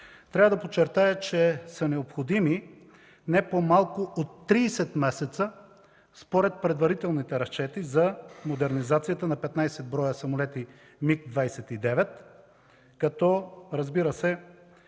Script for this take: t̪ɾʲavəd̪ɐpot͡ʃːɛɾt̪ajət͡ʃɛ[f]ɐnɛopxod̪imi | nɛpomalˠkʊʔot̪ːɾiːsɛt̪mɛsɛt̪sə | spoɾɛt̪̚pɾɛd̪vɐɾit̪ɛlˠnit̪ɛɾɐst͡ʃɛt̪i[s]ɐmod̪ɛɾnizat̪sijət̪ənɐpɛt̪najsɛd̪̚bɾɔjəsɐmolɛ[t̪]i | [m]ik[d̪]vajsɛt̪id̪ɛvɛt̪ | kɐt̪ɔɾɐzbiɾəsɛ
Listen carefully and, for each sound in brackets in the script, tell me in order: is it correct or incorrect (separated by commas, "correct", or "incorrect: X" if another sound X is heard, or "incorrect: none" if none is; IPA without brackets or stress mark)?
incorrect: s, incorrect: z, correct, correct, correct